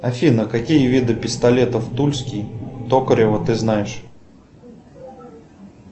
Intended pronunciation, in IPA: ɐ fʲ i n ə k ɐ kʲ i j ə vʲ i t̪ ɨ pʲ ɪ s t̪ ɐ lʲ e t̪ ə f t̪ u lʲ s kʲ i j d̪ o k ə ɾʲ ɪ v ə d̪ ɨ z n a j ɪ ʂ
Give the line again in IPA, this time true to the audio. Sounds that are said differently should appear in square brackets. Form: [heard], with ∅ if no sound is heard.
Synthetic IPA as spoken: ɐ fʲ i n ə k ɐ kʲ i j ə vʲ i [d̪] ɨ pʲ ɪ s t̪ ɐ lʲ e t̪ ə f t̪ u lʲ s kʲ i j [t̪] o k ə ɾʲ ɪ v ə [t̪] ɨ z n a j ɪ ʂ